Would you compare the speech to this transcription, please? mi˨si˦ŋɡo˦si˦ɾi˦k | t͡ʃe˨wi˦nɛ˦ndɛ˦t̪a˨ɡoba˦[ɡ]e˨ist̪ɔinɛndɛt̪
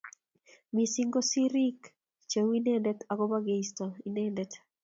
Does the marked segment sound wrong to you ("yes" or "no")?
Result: no